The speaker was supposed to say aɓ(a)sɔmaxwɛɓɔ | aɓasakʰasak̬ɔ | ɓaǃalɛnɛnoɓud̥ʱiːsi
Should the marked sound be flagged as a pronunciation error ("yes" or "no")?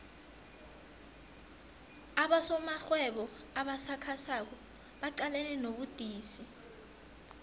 no